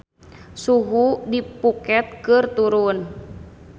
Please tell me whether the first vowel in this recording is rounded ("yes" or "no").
yes